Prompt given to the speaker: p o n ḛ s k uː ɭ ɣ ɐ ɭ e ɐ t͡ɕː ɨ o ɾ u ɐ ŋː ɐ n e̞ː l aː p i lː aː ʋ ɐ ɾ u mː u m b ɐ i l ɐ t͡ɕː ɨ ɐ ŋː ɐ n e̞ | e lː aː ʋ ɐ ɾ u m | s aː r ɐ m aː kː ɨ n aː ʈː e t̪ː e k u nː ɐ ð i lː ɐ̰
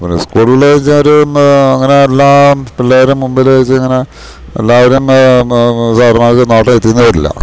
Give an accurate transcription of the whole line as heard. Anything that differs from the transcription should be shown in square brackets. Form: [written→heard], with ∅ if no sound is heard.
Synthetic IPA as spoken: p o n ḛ s k uː ɭ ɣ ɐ ɭ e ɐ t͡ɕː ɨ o ɾ u ɐ ŋː ɐ n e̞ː [l→lː] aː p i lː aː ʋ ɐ ɾ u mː u m b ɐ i l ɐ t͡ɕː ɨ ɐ ŋː ɐ n e̞ | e lː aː ʋ ɐ ɾ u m | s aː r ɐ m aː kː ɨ n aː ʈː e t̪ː [e→i] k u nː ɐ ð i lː ɐ̰